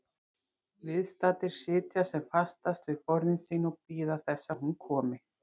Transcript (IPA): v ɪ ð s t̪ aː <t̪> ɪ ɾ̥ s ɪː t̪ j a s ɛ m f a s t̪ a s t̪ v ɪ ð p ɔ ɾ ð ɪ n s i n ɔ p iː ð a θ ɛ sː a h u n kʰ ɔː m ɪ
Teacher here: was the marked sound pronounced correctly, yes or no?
yes